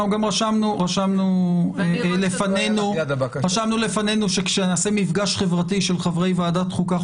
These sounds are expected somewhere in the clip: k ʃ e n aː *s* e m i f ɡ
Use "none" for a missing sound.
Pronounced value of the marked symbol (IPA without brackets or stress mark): s